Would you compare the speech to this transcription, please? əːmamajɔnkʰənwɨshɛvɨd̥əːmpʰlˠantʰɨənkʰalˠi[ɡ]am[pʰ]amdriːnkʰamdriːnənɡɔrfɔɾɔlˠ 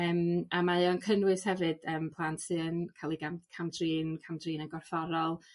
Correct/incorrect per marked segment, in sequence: correct, incorrect: kʰ

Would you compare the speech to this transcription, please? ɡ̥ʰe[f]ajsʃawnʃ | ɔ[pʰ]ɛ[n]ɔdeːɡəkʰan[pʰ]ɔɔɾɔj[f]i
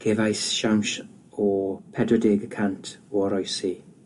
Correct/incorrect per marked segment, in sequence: incorrect: v, correct, incorrect: d, incorrect: tʰ, incorrect: s

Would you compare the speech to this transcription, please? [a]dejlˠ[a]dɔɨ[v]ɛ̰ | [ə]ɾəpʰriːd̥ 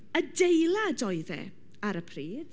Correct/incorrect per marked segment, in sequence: incorrect: ə, correct, incorrect: ð, incorrect: a

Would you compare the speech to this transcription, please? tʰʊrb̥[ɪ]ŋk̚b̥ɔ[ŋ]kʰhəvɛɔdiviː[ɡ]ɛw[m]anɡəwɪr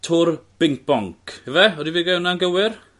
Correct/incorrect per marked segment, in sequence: correct, correct, correct, incorrect: n

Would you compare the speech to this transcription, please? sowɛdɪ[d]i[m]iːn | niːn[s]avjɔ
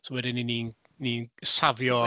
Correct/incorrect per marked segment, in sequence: incorrect: n, incorrect: n, correct

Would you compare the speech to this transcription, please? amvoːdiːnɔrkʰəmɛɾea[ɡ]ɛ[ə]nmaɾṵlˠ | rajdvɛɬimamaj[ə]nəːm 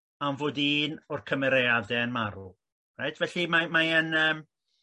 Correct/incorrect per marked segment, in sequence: incorrect: d, correct, correct

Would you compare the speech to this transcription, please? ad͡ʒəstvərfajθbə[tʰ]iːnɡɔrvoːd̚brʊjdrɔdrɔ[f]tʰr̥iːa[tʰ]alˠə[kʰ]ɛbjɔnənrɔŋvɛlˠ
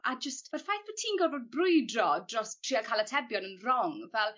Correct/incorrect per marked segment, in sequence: correct, incorrect: s, incorrect: kʰ, incorrect: tʰ

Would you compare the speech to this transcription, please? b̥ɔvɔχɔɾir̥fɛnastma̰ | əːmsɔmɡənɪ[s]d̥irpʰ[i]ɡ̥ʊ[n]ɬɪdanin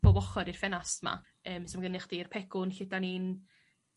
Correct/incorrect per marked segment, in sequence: incorrect: χ, incorrect: ɛ, correct

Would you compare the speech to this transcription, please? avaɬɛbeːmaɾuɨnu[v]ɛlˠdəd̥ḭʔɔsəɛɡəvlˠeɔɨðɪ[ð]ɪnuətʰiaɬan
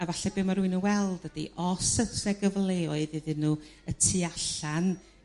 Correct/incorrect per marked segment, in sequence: incorrect: w, correct

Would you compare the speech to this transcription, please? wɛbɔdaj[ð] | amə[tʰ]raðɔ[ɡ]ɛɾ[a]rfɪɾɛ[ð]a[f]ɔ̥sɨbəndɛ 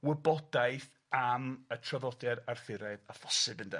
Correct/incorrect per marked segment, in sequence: incorrect: θ, correct, incorrect: d, correct, correct, correct

